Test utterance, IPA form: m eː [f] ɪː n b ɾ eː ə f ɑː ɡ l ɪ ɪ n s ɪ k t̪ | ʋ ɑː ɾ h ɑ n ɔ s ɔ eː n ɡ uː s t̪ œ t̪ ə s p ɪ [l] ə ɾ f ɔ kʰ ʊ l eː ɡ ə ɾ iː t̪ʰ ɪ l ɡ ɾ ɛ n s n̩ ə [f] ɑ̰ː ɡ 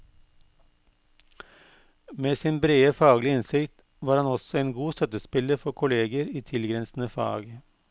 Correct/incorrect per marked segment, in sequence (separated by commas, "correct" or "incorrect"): incorrect, correct, correct